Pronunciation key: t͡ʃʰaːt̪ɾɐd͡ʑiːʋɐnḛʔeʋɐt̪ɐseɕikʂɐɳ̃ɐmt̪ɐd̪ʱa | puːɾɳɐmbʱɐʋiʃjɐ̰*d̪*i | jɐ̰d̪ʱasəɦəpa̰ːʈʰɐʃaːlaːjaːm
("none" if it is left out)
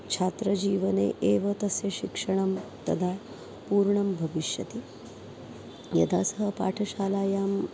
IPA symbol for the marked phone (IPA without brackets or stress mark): t̪